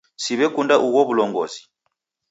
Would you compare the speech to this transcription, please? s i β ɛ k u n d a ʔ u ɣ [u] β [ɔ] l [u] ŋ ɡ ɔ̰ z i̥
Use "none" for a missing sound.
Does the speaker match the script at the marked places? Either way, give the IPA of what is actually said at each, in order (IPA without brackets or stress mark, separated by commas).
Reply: ɔ, u, ɔ